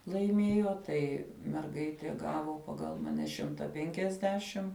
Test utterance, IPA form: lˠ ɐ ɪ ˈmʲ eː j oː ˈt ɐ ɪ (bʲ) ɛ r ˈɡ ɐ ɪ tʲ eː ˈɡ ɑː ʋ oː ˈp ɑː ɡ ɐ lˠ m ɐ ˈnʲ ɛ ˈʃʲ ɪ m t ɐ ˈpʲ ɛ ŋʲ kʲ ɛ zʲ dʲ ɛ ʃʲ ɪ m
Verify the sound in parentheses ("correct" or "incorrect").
incorrect